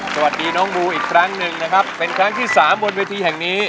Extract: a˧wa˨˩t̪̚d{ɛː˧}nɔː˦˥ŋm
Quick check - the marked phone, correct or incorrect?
incorrect